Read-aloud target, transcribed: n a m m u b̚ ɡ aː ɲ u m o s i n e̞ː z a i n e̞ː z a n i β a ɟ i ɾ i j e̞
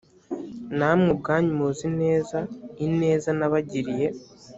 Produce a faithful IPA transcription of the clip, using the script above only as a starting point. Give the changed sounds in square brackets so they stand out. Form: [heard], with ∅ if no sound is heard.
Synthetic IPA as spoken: n a m [ŋ] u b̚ ɡ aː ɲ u m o [z] i n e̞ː z a i n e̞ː z a n [a] β a ɟ i ɾ i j e̞